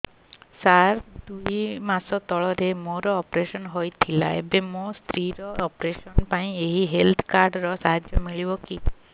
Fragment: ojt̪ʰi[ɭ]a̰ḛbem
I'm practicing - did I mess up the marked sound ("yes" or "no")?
yes